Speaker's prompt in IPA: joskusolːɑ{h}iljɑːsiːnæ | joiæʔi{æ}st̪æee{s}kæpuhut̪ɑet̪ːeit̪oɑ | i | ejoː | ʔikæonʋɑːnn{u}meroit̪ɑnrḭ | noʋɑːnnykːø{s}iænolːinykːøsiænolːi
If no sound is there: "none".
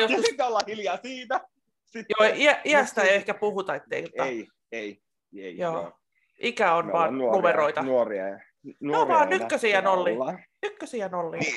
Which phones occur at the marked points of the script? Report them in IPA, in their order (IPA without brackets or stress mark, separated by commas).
h, æ, h, u, s